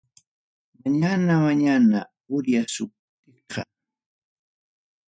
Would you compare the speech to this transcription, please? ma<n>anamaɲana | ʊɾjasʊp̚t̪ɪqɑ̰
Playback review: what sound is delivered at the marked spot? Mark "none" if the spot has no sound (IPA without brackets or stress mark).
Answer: ɲ